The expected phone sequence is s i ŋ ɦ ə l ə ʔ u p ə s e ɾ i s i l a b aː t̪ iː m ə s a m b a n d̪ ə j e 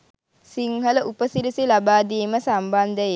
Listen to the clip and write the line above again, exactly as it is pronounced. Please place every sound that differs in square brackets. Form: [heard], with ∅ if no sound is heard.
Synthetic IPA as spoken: s i ŋ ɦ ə l ə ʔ u p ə s [i] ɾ i s i l a b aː [d̪] iː m ə s a m b a n d̪ ə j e